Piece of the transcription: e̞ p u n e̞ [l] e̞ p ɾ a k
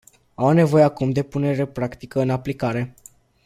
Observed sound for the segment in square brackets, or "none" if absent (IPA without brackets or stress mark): ɾ